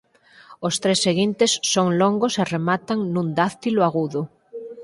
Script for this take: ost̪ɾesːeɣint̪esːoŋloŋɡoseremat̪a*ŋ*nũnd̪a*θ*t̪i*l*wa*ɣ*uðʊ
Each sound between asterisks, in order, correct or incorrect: correct, correct, correct, correct

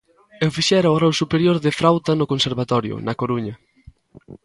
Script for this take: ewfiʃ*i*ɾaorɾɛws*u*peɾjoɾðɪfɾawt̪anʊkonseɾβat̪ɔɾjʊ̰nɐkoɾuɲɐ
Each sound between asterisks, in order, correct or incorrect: incorrect: ɛ, correct

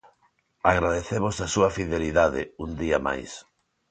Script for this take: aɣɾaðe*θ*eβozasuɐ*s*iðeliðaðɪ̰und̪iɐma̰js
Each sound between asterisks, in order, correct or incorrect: correct, incorrect: f

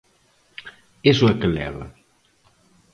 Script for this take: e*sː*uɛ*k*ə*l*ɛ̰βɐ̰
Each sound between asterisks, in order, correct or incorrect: incorrect: s, correct, correct

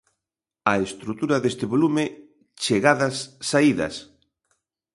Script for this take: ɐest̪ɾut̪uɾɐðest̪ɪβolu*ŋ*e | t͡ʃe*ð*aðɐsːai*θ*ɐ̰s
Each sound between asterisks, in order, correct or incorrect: incorrect: m, incorrect: ɣ, incorrect: ð

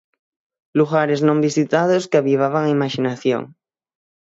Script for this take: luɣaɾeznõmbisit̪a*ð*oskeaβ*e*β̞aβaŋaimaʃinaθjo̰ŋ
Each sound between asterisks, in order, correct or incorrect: correct, incorrect: i

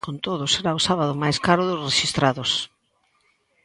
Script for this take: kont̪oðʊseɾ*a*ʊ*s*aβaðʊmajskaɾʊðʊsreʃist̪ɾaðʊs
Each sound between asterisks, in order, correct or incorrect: correct, correct

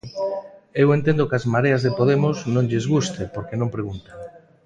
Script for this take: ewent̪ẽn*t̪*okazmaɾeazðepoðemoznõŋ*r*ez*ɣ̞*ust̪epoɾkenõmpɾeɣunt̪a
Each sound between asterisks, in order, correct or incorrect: incorrect: d̪, incorrect: ʎ, correct

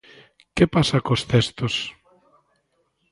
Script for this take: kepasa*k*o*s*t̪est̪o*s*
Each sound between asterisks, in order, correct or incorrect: correct, correct, correct

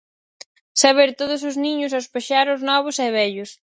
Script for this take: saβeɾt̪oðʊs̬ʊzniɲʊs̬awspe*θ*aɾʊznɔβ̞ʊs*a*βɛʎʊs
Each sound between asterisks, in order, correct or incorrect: incorrect: ʃ, incorrect: ɛ

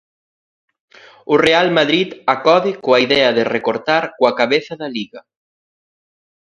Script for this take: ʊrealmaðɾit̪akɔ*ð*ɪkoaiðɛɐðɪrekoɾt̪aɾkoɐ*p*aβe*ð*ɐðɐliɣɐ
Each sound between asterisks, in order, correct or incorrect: correct, incorrect: k, incorrect: θ

